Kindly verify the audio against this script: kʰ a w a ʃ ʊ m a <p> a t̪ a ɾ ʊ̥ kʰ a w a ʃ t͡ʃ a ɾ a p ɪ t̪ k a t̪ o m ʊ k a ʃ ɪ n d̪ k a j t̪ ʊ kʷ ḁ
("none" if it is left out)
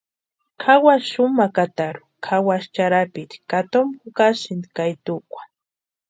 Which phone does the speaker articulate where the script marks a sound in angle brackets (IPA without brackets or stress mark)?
k